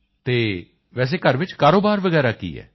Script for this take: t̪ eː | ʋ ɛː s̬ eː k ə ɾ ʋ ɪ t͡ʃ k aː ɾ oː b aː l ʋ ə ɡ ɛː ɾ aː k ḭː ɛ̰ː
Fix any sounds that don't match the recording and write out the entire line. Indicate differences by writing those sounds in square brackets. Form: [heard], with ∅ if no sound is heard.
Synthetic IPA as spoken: t̪ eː | ʋ ɛː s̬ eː k ə ɾ ʋ ɪ t͡ʃ k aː ɾ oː b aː [ɾ] ʋ ə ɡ ɛː ɾ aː k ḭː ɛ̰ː